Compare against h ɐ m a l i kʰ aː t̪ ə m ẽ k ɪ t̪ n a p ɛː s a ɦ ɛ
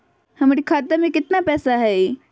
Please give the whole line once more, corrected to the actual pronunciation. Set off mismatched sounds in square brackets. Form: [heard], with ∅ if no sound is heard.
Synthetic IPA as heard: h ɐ m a [ɾ] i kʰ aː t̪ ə m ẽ k ɪ t̪ n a p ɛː s a ɦ ɛ